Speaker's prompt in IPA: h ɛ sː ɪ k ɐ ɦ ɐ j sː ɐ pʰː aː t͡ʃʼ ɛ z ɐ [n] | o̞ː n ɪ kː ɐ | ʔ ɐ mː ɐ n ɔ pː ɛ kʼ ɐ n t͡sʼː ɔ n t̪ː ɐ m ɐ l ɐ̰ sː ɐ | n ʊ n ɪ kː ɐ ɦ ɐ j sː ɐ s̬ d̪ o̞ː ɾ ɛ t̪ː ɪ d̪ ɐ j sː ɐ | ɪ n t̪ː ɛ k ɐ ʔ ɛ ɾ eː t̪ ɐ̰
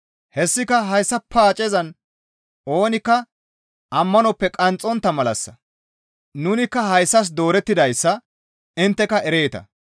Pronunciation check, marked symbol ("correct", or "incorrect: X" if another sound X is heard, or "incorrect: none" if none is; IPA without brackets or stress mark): correct